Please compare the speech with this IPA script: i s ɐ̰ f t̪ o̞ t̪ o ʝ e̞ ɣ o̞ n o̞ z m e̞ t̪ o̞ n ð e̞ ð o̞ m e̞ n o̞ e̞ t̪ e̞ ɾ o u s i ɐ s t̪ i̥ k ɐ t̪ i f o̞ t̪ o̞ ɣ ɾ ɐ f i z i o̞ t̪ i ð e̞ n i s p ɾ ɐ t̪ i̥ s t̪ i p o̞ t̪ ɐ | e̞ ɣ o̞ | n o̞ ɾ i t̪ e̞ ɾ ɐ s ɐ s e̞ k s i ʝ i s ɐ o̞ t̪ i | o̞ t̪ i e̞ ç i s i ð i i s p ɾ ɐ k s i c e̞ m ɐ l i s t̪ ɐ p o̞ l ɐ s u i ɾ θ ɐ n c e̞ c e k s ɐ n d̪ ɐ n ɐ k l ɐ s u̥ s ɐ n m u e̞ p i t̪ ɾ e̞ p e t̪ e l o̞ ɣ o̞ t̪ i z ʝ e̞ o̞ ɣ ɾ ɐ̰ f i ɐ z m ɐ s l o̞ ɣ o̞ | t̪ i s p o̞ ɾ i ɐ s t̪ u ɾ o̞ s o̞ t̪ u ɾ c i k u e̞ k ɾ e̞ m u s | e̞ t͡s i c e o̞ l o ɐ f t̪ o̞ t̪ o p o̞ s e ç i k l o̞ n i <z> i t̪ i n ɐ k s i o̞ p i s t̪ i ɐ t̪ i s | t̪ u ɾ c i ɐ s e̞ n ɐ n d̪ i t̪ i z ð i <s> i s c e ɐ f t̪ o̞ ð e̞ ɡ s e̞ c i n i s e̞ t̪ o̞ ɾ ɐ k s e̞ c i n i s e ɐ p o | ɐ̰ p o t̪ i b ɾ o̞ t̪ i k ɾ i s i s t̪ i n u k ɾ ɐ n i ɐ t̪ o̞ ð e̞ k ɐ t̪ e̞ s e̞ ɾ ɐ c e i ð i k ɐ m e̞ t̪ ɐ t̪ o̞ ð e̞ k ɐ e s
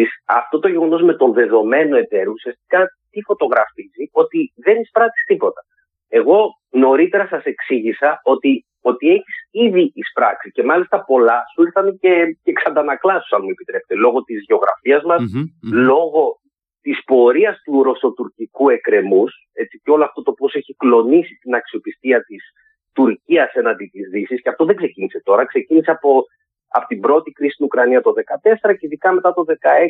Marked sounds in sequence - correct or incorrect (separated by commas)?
incorrect, correct